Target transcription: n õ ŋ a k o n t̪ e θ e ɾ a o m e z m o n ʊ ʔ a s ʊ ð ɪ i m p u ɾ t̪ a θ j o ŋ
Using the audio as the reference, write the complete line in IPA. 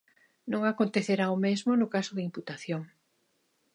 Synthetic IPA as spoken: n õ ŋ a k o n t̪ e θ e ɾ a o m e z m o n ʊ k a s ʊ ð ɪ i m p u t̪ a θ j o ŋ